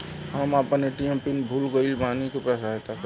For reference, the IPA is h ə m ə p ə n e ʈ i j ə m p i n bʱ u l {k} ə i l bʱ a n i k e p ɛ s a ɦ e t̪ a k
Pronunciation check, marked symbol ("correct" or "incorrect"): incorrect